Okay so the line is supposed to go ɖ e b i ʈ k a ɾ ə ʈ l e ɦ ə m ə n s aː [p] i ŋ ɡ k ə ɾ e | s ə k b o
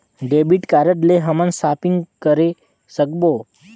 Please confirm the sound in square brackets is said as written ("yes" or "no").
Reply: yes